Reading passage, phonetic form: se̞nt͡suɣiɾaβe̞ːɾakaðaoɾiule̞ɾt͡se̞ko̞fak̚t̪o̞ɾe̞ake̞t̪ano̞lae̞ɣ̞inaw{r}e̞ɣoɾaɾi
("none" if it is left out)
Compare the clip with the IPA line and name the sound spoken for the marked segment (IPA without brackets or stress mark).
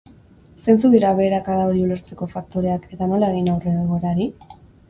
r